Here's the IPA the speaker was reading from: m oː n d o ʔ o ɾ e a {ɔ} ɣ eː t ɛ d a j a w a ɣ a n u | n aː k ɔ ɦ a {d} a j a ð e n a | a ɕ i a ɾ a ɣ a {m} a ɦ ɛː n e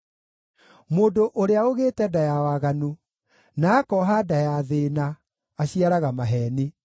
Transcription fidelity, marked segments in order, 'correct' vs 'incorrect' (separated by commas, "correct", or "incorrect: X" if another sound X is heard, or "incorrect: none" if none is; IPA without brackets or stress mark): incorrect: o, correct, correct